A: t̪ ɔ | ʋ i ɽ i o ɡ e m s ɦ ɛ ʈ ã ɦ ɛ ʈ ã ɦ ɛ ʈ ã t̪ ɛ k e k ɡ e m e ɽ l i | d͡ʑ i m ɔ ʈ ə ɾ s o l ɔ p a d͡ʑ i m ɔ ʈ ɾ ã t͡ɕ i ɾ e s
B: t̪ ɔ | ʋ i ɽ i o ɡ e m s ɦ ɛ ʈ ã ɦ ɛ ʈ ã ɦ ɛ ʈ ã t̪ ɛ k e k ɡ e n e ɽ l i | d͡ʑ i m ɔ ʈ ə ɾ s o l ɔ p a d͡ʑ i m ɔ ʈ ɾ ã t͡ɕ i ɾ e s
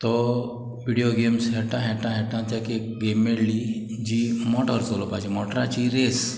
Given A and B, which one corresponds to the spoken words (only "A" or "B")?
A